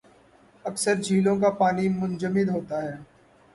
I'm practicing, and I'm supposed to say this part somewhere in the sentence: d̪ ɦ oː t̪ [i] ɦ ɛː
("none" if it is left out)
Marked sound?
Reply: a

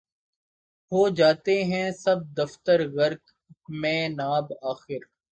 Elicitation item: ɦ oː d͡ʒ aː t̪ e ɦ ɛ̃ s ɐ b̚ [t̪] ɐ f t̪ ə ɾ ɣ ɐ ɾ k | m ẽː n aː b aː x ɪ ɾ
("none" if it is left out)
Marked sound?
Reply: d̪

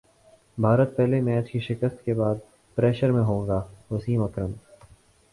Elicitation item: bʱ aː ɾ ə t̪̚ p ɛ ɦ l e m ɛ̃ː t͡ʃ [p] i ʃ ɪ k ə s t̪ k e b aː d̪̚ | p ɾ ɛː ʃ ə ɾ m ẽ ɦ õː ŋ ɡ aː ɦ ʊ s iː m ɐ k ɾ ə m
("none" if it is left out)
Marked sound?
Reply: k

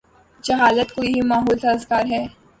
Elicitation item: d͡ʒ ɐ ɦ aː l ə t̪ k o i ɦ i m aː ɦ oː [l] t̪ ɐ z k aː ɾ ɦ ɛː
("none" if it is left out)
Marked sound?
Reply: l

